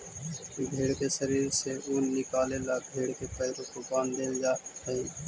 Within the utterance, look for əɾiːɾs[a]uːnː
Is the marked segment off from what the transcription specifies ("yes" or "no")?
yes